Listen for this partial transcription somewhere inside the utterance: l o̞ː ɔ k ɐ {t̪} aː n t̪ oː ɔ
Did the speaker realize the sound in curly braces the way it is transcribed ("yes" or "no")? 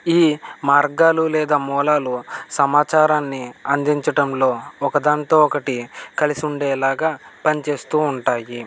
no